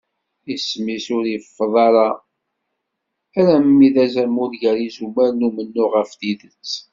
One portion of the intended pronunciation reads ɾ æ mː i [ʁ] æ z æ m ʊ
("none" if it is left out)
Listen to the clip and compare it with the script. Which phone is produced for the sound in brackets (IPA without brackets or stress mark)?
ð